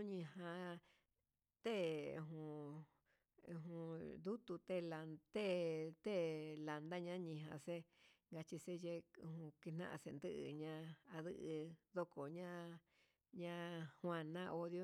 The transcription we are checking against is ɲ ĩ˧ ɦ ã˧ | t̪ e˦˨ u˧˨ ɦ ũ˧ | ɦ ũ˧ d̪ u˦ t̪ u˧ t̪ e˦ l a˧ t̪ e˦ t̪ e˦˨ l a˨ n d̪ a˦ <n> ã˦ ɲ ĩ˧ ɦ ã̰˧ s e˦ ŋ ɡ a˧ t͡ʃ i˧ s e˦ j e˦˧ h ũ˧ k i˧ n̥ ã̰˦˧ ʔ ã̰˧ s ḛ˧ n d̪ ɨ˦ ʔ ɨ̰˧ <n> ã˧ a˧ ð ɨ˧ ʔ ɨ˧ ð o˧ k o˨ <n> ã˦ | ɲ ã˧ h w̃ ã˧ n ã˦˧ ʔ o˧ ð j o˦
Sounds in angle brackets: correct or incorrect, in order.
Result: incorrect: ɲ, incorrect: ɲ, incorrect: ɲ

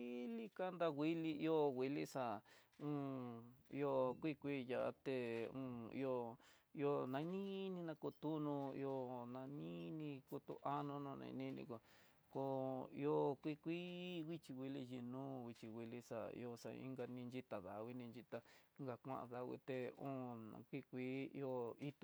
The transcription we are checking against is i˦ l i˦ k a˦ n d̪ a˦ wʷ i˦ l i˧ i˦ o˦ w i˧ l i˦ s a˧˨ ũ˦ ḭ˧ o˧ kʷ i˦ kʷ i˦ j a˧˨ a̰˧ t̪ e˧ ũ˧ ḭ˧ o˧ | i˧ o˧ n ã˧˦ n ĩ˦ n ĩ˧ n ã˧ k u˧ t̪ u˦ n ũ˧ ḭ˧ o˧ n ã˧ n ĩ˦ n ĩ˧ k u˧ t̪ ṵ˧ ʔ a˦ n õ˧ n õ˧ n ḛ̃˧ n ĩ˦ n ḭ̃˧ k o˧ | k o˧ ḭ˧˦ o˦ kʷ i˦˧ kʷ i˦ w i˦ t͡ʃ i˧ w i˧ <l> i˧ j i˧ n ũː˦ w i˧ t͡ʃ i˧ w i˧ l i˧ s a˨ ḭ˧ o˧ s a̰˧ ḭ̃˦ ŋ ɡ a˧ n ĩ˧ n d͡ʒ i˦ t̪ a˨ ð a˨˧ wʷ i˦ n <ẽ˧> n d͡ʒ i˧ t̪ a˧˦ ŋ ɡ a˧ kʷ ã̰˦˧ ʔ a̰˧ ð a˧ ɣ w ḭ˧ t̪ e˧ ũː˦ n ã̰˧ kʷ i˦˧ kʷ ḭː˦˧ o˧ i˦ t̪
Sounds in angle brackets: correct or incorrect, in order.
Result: correct, incorrect: ĩ˧

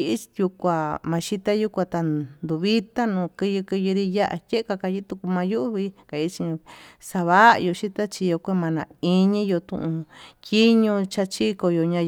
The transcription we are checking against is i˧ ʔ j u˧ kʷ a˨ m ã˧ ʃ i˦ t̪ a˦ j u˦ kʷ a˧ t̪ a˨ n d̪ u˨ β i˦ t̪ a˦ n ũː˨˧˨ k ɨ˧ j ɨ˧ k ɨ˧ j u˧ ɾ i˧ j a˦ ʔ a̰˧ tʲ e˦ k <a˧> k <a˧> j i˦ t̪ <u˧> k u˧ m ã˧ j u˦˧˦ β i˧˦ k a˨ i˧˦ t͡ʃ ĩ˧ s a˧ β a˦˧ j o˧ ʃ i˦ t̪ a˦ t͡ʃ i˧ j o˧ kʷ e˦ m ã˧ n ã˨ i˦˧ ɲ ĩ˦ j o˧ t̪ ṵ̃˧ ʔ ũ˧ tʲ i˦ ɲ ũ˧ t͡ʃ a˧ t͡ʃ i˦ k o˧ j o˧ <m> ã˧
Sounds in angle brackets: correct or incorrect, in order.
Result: correct, correct, correct, incorrect: ɲ

